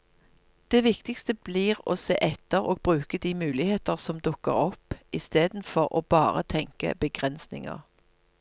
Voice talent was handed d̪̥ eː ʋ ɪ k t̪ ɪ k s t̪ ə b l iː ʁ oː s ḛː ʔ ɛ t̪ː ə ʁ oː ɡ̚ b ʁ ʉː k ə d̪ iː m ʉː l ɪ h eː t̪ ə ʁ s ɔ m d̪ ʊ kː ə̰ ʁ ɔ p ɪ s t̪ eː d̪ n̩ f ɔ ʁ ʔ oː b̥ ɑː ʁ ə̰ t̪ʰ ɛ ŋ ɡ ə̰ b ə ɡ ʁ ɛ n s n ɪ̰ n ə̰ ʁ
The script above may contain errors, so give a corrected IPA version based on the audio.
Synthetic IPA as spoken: d̪̥ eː ʋ ɪ k t̪ ɪ k s t̪ ə b l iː ʁ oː s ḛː ʔ ɛ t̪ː ə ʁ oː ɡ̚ b ʁ ʉː k ə d̪ iː m ʉː l ɪ h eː t̪ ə ʁ s ɔ m d̪ ʊ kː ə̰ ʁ ɔ p ɪ s t̪ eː d̪ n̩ f ɔ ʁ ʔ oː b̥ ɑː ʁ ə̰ t̪ʰ ɛ ŋ k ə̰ b ə ɡ ʁ ɛ n s n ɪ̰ ŋ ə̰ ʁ